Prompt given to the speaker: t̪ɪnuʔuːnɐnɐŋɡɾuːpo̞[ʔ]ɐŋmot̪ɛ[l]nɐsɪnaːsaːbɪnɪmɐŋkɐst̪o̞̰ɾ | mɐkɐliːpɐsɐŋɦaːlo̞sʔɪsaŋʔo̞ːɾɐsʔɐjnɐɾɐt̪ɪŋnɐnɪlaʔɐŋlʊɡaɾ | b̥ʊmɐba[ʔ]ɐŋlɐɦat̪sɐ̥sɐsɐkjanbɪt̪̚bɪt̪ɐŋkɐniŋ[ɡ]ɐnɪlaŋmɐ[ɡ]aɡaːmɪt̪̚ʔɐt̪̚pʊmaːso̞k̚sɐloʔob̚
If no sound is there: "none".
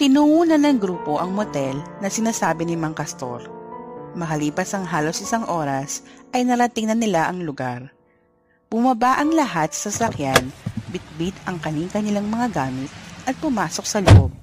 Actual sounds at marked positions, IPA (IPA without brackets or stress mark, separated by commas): ʔ, l, ʔ, k, ŋ